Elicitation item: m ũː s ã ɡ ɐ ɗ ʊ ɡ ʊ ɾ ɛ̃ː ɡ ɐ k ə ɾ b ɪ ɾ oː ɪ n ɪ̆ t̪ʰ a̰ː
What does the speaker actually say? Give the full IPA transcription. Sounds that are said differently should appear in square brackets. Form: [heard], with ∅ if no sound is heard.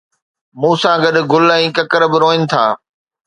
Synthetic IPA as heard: m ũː s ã ɡ ɐ ɗ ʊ ɡ ʊ [l] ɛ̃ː [k] ɐ k ə ɾ b ɪ ɾ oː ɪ n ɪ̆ t̪ʰ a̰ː